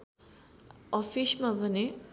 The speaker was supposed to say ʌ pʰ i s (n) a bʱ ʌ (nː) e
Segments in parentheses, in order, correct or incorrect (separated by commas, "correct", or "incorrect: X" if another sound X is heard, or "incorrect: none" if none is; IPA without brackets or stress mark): incorrect: m, incorrect: n